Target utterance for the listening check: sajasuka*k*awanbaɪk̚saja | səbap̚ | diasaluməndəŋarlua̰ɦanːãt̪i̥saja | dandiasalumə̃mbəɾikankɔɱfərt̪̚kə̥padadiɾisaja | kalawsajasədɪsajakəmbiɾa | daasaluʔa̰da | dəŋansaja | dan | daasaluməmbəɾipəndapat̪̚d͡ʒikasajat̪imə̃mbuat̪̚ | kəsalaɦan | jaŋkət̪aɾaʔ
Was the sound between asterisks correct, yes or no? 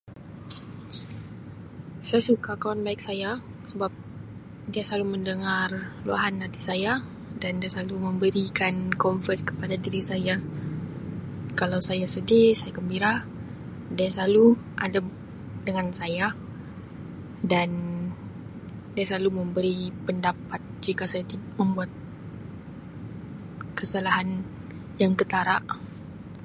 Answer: yes